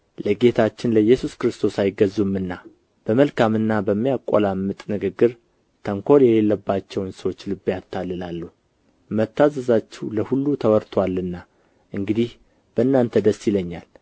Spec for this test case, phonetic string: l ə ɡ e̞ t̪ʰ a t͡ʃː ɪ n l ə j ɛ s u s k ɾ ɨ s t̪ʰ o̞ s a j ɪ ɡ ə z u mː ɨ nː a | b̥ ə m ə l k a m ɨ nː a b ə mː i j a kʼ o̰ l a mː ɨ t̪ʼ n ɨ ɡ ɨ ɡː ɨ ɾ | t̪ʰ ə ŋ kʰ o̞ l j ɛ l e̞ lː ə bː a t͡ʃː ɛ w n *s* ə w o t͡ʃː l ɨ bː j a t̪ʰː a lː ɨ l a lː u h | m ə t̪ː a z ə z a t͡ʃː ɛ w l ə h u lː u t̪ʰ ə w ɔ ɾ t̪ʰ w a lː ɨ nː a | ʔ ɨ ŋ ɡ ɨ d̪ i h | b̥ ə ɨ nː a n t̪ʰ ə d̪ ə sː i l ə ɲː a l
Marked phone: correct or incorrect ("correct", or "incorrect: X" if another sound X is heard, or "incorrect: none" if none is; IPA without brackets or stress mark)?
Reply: correct